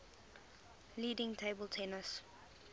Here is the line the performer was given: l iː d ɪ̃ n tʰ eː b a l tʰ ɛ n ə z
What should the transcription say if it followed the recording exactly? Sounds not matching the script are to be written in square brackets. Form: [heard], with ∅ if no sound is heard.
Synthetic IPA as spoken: l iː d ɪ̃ [ŋ] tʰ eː b [ə] l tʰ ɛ n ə [s]